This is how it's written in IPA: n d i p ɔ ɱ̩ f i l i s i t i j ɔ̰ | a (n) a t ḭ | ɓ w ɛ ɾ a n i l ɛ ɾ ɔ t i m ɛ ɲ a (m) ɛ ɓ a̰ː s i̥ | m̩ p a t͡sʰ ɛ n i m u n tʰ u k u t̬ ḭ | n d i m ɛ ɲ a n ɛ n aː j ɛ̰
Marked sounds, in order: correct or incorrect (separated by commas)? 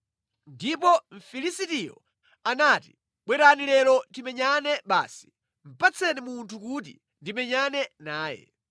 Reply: correct, incorrect